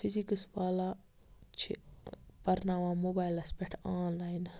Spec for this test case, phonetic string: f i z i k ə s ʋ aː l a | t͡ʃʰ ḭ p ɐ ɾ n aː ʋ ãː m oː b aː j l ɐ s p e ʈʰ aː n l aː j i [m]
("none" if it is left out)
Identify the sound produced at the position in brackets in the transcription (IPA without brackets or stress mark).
n